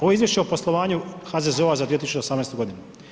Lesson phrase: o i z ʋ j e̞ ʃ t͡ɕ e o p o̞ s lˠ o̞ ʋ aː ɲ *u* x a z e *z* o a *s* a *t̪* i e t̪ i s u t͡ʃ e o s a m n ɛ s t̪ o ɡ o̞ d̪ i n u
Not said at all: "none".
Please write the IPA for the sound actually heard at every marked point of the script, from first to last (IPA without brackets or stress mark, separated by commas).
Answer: u, z, z, d̪